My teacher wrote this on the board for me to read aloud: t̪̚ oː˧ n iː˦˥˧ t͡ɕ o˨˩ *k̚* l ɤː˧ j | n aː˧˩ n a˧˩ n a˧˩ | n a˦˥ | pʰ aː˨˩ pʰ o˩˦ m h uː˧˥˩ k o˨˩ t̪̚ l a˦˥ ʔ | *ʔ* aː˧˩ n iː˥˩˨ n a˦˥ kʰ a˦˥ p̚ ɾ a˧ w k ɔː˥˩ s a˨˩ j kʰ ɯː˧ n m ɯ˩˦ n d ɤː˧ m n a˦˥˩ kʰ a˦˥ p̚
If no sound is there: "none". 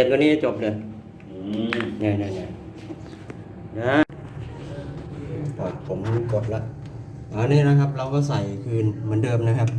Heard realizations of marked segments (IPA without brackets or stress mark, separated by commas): p̚, ʔ